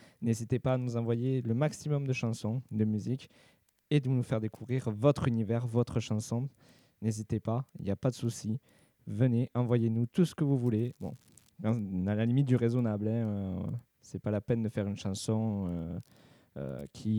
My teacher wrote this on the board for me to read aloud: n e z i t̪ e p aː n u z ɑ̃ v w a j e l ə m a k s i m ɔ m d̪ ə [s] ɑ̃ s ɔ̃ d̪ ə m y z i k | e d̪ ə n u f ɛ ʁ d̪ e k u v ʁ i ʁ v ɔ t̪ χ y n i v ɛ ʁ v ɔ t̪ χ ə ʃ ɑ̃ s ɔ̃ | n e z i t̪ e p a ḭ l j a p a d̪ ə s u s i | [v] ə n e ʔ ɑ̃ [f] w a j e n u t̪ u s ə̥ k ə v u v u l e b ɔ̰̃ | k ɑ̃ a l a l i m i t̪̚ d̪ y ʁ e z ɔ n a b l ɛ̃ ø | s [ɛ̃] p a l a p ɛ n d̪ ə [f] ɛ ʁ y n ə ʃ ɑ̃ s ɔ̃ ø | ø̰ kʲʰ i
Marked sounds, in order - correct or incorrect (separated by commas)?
incorrect, correct, incorrect, incorrect, correct